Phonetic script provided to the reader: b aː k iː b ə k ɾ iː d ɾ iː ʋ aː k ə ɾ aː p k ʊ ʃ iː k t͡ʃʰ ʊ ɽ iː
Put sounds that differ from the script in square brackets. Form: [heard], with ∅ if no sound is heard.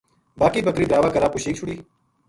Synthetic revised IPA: b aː k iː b ə k ɾ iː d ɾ [aː] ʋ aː k ə ɾ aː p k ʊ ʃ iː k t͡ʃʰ ʊ ɽ iː